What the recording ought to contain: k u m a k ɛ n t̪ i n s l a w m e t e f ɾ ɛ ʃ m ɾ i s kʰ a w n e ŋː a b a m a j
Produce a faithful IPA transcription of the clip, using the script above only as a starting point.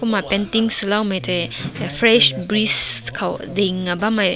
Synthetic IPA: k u m a p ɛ n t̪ i ŋ s l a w m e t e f ɾ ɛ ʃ b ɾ i s kʰ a w d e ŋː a b a m a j